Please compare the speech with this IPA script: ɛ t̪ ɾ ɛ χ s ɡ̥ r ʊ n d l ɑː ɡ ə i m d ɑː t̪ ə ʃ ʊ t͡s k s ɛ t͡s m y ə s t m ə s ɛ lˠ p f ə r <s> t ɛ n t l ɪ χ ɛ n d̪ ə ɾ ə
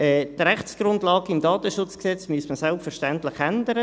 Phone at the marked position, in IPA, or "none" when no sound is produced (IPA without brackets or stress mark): ʃ